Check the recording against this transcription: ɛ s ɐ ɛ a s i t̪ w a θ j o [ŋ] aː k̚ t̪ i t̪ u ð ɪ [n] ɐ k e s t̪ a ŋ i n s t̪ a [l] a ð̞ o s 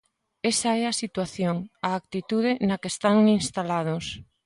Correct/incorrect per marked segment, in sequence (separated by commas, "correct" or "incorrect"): correct, correct, correct